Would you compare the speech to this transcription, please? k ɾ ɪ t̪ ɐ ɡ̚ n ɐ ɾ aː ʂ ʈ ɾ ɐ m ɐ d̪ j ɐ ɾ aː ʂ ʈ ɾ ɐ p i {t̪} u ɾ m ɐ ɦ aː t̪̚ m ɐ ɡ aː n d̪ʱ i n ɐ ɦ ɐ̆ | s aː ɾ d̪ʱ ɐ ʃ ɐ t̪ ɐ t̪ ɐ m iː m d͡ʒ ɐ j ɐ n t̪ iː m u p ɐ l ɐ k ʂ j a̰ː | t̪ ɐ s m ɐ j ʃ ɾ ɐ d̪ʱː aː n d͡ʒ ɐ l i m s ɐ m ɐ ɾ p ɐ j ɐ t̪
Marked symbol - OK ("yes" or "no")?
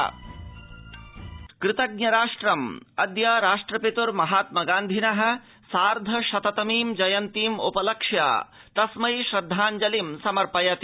yes